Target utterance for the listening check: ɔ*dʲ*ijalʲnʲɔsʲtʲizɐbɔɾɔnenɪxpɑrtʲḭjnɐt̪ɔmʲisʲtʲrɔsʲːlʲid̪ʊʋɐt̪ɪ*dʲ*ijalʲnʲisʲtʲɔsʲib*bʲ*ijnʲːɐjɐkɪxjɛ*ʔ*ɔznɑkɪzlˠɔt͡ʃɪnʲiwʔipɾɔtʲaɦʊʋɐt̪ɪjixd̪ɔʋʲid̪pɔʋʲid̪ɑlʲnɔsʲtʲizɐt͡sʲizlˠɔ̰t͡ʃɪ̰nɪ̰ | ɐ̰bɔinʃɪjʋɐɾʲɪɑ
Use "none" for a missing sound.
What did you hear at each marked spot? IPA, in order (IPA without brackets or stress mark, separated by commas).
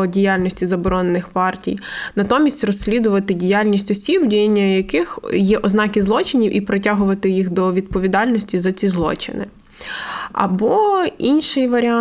dʲ, dʲ, dʲ, ʔ